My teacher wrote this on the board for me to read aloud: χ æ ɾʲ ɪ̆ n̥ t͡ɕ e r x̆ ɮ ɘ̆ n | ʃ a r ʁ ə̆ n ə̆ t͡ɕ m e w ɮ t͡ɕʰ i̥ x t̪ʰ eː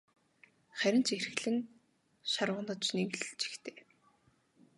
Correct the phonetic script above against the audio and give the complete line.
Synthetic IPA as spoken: χ æ ɾʲ ɪ̆ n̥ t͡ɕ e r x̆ ɮ ɘ̆ n | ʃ a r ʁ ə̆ n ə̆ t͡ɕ n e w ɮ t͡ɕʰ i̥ x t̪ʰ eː

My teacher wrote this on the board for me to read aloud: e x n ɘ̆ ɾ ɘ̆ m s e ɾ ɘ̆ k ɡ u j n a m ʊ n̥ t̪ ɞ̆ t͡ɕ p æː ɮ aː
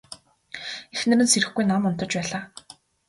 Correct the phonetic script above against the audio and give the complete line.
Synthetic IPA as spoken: e x n ɘ̆ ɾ ɘ̆ n s e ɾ ɘ̆ x ɡ u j n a m ʊ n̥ t̪ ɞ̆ t͡ɕ p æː ɮ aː

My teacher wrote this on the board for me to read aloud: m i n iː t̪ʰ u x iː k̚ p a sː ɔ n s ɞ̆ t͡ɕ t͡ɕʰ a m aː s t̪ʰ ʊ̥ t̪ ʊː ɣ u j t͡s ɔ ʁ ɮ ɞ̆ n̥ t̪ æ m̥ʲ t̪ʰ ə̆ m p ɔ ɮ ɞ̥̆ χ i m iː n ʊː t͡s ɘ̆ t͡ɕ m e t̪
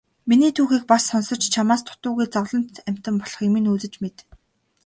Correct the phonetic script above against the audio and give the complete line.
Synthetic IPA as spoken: m i n iː t̪ʰ uː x iː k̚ p a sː ɔ n s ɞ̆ t͡ɕ t͡ɕʰ a m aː s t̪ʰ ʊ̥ t̪ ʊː ɣ u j t͡s ɔ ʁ ɮ ɞ̆ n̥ t̪ æ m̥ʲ t̪ ə̆ m p ɔ ɮ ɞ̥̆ χ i m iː n uː t͡s ɘ̆ t͡ɕ m e t̪

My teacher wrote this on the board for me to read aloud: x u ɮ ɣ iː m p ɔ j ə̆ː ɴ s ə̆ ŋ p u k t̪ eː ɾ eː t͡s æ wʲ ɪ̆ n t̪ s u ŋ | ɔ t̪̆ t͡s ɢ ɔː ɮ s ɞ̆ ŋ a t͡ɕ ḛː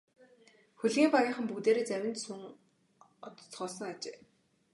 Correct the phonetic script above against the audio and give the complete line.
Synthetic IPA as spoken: x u ɮ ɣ iː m p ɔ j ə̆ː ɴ χ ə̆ m p u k t̪ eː ɾ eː t͡s æ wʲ ɪ̆ n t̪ s u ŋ | ɔ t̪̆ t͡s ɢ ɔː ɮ s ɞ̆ ŋ a t͡ɕ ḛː

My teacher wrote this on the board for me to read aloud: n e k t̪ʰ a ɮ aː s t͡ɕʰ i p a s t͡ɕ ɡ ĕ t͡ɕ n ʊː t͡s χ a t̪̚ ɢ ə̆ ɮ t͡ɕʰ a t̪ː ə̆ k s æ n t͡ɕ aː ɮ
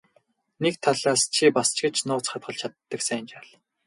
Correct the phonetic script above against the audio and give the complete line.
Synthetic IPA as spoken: n e k t̪ʰ a ɮ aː s t͡ɕʰ i p a s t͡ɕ ɡ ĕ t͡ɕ n ʊː t͡s χ a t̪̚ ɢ ə̆ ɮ t͡ɕʰ a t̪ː ə̆ k s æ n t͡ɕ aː ɮ

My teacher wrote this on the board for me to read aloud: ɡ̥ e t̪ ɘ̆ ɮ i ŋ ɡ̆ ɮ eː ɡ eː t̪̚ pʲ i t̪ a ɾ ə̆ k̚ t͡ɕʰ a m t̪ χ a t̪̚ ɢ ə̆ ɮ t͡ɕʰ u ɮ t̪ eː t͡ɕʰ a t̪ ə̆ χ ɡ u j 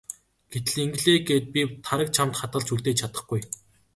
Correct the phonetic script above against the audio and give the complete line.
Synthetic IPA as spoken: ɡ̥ e t̪ ɘ̆ ɮ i ŋ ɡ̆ ɮ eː ɡ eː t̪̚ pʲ i t̪ʰ a ɾ ə̆ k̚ t͡ɕʰ a m t̪ χ a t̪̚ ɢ ə̆ ɮ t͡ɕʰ u ɮ t̪ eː t͡ɕʰ a t̪ ə̆ χ ɡ u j

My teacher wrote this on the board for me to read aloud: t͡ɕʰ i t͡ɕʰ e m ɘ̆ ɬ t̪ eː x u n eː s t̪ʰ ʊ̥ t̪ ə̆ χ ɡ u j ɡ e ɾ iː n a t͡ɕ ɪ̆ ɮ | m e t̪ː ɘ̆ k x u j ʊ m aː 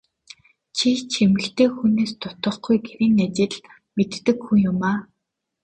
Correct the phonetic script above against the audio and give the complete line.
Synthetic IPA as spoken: t͡ɕʰ i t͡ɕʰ e m ɘ̆ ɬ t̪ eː x u n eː s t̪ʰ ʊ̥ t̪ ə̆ χ ɡ u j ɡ e ɾ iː n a t͡ɕ ɪ̆ ɮ | m e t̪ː ɘ̆ k x u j ʊ m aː

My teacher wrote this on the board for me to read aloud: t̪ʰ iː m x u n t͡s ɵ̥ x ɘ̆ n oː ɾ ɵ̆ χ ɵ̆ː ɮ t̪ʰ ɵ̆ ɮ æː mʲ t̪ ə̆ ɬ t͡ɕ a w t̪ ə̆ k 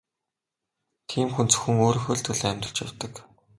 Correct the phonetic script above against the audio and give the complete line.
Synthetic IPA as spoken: t̪ʰ iː m x u n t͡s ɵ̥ x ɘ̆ ŋ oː ɾ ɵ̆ x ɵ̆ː ɮ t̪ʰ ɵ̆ ɮ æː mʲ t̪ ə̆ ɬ t͡ɕ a w t̪ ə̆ k

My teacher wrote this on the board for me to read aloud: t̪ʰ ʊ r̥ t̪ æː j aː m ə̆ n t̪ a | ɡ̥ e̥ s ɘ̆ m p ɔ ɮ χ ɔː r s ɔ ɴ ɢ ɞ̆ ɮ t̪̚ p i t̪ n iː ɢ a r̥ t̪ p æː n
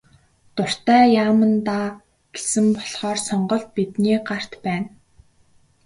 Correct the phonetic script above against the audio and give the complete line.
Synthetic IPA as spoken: t̪ ʊ r̥ t̪ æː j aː m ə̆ n t̪ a | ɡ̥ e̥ s ɘ̆ m p ɔ ɮ χ ɔː r s ɔ ɴ ɢ ɞ̆ ɮ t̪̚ p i t̪ n iː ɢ a r̥ t̪ p æː n

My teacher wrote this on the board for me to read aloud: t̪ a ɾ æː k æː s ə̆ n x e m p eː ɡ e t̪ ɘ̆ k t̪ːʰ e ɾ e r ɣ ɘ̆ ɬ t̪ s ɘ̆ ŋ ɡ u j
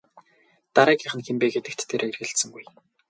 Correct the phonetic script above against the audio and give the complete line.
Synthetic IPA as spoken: t̪ a ɾ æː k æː χ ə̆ n x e m p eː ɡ e t̪ ɘ̆ k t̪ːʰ e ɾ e r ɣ ɘ̆ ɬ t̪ s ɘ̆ ŋ ɡ u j

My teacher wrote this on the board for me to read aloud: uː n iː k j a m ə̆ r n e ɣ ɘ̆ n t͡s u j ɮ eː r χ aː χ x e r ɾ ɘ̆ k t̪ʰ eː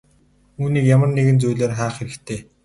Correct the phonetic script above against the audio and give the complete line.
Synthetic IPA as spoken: uː n iː k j a m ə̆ r n e ɣ ɘ̆ n t͡s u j ɮ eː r χ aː χ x e ɾ ɘ̆ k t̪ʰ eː

